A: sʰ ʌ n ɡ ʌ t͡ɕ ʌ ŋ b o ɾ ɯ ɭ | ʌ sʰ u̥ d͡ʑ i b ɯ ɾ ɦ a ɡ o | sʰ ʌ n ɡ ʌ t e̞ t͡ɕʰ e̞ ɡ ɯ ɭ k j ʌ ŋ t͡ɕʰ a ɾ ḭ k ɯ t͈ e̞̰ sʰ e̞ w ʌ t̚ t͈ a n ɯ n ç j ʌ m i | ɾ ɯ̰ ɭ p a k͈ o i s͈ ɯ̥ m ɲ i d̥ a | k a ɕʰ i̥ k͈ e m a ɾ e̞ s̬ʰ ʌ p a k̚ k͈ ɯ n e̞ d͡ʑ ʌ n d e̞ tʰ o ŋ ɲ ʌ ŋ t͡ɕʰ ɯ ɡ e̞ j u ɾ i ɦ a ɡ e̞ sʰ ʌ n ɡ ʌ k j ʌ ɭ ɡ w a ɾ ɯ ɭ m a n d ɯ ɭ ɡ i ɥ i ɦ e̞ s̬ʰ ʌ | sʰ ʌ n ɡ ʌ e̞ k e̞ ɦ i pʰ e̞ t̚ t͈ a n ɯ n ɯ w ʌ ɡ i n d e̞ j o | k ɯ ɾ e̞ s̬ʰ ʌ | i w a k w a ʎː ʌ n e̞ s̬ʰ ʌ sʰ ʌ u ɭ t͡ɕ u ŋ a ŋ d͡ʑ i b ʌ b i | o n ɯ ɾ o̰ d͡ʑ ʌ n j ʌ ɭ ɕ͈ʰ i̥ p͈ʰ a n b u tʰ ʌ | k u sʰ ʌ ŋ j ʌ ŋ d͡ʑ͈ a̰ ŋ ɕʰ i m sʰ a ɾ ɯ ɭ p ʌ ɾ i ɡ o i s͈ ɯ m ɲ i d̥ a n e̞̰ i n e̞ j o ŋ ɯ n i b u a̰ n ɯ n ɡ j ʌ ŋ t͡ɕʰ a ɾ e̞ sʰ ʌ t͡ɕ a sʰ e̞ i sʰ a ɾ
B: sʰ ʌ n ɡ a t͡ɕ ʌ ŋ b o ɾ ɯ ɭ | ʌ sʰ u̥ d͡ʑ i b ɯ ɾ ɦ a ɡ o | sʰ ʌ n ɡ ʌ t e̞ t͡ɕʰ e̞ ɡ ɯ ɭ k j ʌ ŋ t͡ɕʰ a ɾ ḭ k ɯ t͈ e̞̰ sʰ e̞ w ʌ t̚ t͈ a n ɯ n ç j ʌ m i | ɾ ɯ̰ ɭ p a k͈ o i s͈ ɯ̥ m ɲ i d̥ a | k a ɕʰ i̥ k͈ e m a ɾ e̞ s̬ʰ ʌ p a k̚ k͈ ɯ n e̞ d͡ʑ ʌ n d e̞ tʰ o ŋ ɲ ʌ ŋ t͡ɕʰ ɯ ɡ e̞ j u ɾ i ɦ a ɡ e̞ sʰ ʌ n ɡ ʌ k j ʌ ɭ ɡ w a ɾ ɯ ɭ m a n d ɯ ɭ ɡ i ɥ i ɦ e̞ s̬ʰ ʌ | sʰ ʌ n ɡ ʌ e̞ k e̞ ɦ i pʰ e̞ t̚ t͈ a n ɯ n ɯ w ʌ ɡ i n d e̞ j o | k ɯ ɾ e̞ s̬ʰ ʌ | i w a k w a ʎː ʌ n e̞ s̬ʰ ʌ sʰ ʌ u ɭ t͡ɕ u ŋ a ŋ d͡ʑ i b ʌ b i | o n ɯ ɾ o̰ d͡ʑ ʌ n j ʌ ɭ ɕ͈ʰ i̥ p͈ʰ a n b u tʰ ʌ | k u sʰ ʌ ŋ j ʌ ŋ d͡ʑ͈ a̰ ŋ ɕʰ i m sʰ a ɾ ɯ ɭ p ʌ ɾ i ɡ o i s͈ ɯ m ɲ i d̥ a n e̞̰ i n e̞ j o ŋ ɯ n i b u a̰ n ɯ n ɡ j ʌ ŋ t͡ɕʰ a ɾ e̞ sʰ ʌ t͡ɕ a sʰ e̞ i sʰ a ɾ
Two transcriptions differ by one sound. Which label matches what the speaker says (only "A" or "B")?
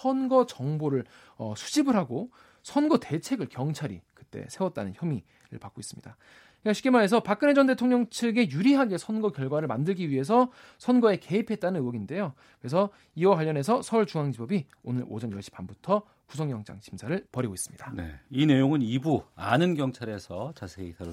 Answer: A